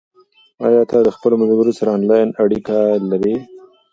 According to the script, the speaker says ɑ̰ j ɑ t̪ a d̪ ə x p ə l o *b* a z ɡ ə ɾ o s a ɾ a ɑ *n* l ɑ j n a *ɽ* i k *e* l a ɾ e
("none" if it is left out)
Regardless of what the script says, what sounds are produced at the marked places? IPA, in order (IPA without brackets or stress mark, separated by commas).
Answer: m, n, ɽ, a